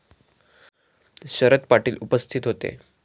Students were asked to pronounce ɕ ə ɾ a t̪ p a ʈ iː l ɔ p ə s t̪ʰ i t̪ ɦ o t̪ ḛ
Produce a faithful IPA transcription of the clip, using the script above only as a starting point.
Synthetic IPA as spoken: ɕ ə ɾ ə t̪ p a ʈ iː l u p ə s t̪ʰ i t̪ ɦ o t̪ ḛ